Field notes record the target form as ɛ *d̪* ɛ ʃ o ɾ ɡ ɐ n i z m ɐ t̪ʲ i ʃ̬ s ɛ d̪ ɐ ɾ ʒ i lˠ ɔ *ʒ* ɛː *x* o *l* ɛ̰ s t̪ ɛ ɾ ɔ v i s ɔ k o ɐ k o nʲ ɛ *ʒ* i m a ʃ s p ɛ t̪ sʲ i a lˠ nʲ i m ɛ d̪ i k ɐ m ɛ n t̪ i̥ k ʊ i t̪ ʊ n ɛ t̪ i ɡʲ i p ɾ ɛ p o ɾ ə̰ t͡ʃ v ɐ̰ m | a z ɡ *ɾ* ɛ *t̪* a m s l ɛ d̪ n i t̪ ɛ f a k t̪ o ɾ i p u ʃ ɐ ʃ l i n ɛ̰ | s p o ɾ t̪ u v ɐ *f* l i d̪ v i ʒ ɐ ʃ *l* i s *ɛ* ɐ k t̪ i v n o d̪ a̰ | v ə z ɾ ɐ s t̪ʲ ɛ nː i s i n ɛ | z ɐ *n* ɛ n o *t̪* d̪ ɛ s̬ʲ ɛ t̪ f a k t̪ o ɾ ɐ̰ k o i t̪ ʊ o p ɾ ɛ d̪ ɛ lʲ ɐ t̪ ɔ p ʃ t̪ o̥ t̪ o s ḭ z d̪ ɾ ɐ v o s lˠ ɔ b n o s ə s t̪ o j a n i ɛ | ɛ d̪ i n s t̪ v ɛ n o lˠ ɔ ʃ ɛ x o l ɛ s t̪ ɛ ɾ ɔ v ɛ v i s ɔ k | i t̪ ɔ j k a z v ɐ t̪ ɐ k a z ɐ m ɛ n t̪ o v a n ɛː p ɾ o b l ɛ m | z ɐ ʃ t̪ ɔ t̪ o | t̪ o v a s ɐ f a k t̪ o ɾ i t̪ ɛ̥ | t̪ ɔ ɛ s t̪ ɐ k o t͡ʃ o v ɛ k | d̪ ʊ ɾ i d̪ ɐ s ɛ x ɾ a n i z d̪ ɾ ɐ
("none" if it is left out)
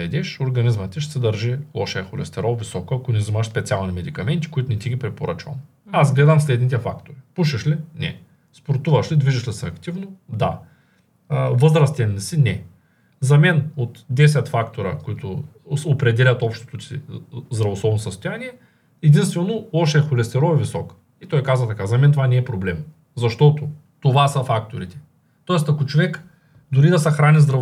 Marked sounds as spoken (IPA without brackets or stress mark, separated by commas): d̪, ʃ, x, l, z, l, d̪, ʃ, l, ɛ, m, t̪